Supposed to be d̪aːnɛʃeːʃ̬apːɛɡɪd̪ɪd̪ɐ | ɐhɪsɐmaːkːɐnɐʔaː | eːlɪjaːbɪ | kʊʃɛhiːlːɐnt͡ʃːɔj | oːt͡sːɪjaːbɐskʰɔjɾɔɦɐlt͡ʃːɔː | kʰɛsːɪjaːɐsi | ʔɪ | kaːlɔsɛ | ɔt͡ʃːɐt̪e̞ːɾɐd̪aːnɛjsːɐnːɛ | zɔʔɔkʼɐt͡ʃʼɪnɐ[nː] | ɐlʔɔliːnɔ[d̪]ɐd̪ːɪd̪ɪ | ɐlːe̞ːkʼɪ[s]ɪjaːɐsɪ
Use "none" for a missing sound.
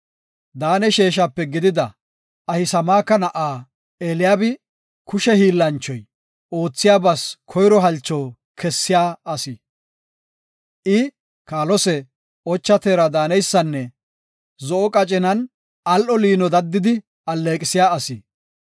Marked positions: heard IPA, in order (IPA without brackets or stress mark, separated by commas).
n, d̪, s